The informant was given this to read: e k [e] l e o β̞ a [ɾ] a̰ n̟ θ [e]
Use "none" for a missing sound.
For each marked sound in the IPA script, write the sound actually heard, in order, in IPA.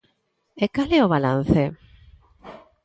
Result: a, l, e

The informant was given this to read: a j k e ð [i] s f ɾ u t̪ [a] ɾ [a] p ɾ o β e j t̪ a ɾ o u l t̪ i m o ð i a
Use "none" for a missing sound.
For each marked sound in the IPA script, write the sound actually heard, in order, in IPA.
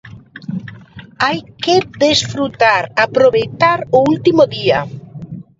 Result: e, a, a

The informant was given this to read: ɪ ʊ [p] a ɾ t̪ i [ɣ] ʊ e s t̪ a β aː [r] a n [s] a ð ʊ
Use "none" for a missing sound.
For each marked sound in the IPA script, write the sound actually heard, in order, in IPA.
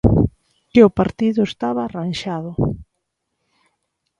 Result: p, ð, r, ʃ

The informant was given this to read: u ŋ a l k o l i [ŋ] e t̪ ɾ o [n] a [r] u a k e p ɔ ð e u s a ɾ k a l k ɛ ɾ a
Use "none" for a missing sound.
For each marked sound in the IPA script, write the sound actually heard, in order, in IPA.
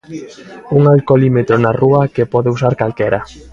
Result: m, n, r

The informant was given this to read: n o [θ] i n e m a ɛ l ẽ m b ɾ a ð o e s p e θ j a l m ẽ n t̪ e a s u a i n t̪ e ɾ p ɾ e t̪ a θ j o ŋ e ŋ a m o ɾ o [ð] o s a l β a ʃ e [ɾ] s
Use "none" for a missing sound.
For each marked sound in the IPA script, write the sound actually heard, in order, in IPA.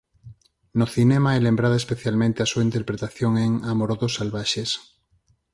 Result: θ, ð, none

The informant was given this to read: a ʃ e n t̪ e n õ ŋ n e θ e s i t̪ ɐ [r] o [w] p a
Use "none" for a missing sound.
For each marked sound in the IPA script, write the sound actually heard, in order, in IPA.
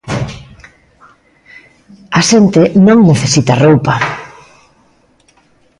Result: r, w

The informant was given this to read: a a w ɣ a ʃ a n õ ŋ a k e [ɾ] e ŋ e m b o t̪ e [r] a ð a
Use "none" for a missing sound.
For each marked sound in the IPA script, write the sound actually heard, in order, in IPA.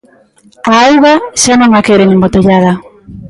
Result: ɾ, ʎ

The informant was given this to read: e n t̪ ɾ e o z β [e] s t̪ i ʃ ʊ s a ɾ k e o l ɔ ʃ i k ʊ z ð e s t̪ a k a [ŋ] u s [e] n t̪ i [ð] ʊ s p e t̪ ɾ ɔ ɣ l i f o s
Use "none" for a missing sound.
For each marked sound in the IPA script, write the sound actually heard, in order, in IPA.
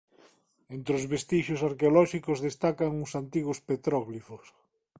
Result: e, ŋ, a, ɣ

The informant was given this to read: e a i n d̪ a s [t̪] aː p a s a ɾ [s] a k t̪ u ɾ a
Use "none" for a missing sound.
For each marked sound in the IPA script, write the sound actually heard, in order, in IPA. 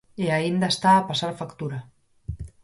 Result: t̪, f

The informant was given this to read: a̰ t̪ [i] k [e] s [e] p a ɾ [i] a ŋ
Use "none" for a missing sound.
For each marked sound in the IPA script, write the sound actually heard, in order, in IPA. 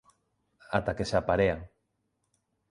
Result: a, e, a, e

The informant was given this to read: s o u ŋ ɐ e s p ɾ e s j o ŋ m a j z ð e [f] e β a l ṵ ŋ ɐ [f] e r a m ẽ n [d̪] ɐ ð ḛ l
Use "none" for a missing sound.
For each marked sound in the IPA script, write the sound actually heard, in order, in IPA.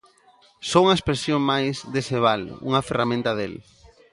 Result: s, f, t̪

